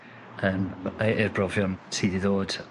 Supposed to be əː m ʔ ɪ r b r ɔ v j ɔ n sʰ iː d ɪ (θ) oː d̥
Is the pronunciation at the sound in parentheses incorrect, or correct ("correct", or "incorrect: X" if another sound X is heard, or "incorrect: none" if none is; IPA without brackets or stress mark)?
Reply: incorrect: ð